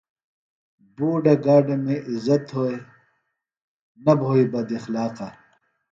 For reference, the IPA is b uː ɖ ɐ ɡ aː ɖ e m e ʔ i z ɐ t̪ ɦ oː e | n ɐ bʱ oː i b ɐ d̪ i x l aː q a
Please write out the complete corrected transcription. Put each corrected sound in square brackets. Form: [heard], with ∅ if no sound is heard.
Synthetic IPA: b uː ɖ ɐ ɡ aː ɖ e m e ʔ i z ɐ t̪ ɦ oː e | n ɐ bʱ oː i b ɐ d̪ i x l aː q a